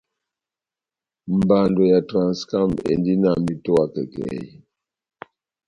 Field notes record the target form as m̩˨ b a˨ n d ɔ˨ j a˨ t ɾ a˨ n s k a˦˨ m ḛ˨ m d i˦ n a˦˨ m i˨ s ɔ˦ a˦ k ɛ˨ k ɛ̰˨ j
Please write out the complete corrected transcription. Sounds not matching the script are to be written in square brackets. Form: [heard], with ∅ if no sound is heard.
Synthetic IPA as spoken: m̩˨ b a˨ n d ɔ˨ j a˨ t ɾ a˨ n s k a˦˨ m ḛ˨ [n] d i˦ n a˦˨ m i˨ [t] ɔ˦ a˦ k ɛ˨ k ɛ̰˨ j